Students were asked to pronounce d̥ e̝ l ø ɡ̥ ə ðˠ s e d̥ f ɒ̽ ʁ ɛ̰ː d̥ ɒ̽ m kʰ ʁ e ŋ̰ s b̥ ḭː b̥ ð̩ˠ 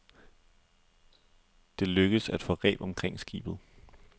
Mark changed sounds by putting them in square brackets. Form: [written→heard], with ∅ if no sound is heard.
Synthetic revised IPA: d̥ e̝ l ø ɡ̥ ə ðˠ s [e→æ] d̥ f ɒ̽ ʁ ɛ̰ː [d̥→b̥] ɒ̽ m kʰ ʁ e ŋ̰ s [b̥→ɡ̥] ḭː b̥ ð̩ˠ